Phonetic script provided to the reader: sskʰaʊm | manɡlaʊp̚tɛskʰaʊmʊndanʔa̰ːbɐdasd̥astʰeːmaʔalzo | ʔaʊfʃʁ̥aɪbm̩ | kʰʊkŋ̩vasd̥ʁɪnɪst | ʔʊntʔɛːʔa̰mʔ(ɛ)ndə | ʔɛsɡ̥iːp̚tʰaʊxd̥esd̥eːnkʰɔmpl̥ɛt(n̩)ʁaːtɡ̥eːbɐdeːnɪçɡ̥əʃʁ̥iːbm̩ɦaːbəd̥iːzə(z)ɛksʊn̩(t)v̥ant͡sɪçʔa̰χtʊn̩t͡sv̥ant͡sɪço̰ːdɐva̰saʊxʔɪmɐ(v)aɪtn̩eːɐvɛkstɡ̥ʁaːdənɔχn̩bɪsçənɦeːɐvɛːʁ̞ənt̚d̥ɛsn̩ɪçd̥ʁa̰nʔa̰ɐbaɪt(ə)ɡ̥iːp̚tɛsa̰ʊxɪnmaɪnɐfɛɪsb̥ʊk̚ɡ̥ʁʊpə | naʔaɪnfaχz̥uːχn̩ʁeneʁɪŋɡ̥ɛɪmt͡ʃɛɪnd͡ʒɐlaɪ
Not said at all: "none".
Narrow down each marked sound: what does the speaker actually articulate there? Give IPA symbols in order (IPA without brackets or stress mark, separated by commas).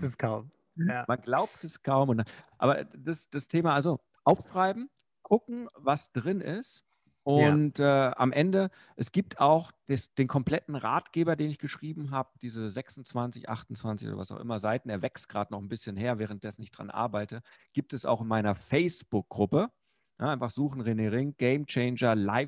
ɛ, n̩, z, t͡s, z, ə